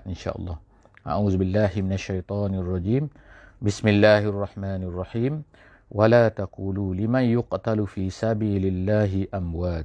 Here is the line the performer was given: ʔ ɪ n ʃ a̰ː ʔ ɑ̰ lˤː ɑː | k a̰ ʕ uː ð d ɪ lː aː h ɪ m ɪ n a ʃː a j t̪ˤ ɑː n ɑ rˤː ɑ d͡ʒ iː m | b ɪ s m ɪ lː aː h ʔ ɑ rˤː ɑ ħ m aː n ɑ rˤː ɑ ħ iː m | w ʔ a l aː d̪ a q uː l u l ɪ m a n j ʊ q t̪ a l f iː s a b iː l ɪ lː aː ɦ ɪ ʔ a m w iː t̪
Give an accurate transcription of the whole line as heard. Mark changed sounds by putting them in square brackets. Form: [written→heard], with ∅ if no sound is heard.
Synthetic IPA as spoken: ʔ ɪ n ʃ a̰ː ʔ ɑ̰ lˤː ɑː | [k→ʔ] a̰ ʕ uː ð [d→b] ɪ lː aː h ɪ m ɪ n a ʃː a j t̪ˤ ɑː n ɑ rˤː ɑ d͡ʒ iː m | b ɪ s m ɪ lː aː h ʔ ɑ rˤː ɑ ħ m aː n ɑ rˤː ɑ ħ iː m | w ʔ a l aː [d̪→t̪] a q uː l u l ɪ m a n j ʊ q t̪ a l f iː s a b iː l ɪ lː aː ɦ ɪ ʔ a m w [iː→aː] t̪